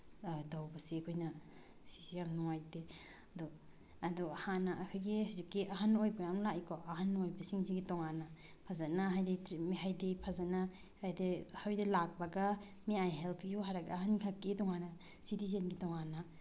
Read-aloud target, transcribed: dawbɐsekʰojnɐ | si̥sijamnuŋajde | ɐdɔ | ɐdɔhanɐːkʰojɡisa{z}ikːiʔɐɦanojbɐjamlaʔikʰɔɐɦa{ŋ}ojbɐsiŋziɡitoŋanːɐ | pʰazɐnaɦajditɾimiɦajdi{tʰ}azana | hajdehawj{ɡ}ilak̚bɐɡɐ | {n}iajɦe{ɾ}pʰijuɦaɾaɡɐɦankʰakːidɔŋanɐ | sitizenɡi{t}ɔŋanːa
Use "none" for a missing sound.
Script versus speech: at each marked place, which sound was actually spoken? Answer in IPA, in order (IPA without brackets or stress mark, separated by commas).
z, n, pʰ, d, m, l, t